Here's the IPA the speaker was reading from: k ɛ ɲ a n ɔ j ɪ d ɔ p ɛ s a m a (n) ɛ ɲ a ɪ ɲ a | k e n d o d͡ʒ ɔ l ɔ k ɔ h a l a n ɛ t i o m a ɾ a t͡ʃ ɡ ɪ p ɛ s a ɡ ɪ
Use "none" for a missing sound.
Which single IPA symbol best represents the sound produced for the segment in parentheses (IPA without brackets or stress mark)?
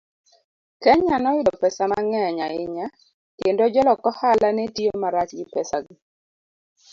ŋ